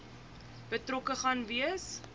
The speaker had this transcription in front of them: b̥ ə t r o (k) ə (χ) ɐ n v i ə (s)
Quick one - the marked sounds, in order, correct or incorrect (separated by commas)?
correct, correct, correct